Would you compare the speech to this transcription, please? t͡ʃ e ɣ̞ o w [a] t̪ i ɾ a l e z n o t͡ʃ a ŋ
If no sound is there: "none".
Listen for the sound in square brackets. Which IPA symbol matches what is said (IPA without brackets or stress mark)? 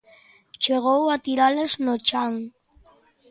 a